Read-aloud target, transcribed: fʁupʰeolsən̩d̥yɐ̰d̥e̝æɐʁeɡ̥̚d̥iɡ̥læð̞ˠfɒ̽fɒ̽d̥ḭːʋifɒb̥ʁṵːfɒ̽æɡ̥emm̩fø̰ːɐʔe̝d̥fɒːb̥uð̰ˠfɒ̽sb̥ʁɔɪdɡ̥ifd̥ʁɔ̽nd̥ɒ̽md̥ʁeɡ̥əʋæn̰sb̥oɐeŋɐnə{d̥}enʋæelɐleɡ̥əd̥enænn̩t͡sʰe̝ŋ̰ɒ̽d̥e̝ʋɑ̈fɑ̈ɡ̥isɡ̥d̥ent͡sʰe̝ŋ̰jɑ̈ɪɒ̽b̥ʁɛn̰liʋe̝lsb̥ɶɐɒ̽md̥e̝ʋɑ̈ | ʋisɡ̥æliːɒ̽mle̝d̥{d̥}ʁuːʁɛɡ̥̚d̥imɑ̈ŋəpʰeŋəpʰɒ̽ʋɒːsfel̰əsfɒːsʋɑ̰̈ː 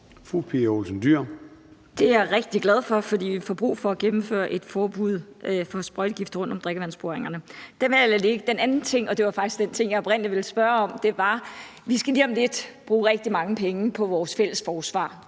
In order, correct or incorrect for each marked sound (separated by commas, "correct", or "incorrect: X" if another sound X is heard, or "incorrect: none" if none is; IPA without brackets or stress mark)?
correct, incorrect: b̥